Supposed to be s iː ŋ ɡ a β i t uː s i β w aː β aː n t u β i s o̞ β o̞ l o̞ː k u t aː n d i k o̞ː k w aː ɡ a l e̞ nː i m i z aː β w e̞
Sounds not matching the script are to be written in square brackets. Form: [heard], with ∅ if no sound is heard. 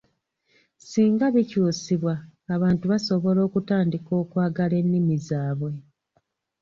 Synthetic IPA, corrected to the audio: s iː ŋ ɡ a β i [c] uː s i β w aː β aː n t u β [a] s o̞ β o̞ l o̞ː k u t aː n d i k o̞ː k w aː ɡ a l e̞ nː i m i z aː β w e̞